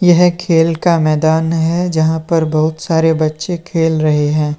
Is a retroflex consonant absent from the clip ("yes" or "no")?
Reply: yes